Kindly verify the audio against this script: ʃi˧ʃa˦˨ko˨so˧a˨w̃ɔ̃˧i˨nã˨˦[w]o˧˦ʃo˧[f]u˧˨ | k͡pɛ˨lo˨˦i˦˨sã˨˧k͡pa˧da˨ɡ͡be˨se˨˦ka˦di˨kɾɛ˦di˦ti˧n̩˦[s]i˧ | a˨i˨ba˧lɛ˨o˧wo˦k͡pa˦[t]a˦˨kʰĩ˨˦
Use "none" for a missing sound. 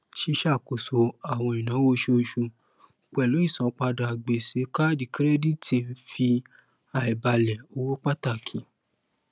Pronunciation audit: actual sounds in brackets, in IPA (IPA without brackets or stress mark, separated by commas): w, ʃ, f, t